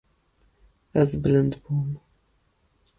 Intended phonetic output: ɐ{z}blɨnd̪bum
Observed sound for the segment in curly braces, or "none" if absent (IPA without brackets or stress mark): z